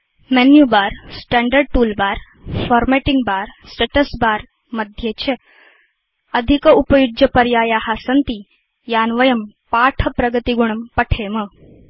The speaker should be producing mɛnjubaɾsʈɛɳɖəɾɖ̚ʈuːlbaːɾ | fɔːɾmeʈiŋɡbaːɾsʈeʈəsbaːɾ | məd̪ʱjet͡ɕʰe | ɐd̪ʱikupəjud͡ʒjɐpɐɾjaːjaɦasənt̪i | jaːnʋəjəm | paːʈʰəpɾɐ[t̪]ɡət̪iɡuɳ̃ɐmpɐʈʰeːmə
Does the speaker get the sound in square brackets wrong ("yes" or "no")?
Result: yes